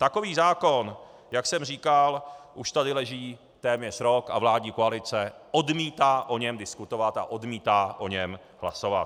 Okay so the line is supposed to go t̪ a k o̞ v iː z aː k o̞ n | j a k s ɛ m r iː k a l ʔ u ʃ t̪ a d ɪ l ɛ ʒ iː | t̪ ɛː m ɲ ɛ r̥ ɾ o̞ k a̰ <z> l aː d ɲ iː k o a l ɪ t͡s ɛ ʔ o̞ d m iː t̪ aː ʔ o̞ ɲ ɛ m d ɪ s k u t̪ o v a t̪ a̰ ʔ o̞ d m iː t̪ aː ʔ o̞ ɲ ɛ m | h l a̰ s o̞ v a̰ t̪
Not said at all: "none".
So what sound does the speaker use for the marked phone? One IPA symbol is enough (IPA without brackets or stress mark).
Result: v